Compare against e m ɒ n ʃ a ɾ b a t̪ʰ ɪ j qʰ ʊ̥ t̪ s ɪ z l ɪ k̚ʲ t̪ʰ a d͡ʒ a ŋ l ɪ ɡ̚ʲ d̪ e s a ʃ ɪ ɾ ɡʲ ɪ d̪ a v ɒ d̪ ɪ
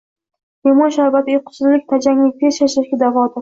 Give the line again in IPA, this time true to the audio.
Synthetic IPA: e m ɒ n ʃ a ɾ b a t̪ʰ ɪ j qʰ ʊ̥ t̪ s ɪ z l ɪ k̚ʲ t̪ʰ a d͡ʒ a ŋ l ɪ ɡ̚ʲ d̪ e ʃ a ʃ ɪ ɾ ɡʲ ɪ d̪ a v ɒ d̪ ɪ